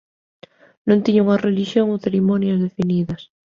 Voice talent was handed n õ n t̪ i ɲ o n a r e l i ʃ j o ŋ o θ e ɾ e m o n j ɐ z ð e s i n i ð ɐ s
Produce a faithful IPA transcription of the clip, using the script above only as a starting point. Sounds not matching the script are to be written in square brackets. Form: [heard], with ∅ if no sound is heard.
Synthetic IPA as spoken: n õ n t̪ i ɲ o [ŋ] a r e l i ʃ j o ŋ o θ e ɾ [i] m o n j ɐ z ð e [f] i n i ð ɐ s